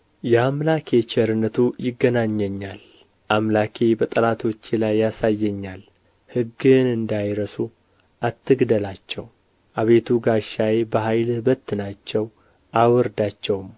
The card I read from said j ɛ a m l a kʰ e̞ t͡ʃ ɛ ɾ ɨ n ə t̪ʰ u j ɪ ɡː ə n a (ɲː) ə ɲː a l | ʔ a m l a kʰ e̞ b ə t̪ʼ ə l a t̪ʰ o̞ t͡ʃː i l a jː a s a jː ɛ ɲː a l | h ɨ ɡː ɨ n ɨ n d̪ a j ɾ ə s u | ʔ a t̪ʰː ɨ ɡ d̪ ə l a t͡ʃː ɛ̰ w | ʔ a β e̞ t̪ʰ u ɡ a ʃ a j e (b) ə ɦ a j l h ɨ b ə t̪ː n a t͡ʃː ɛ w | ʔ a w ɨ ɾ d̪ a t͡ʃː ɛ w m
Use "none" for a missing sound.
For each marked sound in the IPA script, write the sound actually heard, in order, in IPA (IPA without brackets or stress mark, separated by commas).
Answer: ɲː, b